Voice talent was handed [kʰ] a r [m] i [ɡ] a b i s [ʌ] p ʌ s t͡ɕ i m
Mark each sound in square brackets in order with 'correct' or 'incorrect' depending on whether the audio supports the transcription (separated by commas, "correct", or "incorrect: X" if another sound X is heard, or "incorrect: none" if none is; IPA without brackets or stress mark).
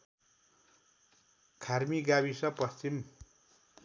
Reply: correct, correct, correct, correct